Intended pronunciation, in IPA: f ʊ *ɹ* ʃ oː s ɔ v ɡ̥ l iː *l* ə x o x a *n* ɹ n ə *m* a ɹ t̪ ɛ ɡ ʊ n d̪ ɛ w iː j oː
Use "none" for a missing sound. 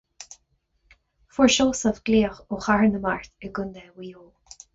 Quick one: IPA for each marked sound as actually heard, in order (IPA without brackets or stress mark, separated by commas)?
ɹ, none, none, m